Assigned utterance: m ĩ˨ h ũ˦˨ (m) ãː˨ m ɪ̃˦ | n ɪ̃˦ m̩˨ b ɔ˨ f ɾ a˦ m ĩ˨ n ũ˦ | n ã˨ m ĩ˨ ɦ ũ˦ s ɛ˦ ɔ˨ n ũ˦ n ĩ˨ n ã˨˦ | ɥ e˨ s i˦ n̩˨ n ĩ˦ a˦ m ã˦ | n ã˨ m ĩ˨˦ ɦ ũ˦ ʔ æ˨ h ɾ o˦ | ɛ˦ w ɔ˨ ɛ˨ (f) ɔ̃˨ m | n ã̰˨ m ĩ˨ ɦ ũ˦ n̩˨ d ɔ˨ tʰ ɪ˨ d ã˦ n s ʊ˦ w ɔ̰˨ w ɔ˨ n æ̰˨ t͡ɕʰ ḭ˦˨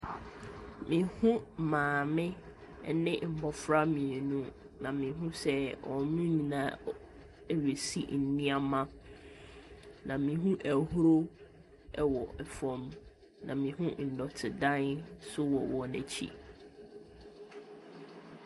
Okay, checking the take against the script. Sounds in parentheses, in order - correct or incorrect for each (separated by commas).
correct, correct